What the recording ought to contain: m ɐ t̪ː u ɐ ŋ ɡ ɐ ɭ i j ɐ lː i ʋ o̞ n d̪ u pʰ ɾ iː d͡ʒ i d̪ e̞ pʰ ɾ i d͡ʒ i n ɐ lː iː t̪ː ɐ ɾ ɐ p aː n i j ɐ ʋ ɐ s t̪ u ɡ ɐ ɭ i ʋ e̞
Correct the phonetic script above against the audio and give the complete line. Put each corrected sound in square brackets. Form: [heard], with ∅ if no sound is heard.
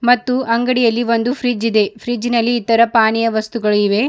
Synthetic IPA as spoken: m ɐ t̪ː u ɐ ŋ ɡ ɐ [ɽ] i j ɐ lː i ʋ o̞ n d̪ u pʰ ɾ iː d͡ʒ i d̪ e̞ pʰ ɾ i d͡ʒ i n ɐ lː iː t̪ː ɐ ɾ ɐ p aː n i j ɐ ʋ ɐ s t̪ u ɡ ɐ ɭ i ʋ e̞